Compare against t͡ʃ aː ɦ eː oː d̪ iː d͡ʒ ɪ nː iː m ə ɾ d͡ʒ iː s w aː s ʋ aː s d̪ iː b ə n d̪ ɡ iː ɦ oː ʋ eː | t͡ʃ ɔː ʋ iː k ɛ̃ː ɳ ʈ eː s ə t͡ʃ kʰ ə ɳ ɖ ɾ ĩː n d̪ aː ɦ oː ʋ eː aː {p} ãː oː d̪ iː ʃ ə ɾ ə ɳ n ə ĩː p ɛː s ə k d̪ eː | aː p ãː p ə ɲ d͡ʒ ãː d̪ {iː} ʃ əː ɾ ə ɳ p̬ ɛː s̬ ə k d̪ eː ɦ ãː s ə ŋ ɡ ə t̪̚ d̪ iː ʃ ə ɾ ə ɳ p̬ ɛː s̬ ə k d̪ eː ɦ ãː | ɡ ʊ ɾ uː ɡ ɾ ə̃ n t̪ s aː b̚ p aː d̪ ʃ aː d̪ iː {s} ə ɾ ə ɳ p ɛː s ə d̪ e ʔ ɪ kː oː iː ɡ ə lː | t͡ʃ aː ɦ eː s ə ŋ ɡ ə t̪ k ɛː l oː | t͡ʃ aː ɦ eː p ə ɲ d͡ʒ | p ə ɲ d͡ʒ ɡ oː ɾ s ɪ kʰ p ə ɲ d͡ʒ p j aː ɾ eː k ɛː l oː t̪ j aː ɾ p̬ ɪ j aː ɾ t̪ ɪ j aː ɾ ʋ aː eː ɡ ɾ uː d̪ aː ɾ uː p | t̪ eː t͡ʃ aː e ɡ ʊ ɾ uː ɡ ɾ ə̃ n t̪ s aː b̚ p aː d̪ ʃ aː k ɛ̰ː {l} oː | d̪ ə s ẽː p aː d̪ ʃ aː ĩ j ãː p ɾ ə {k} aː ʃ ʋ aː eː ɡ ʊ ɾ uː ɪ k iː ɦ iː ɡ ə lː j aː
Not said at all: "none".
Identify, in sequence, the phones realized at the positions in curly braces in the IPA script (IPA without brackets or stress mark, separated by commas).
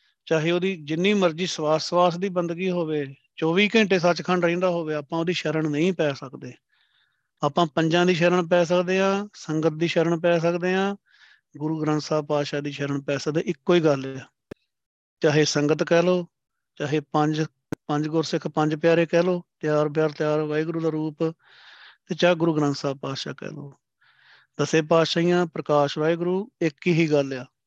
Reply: p, iː, ʃ, l, k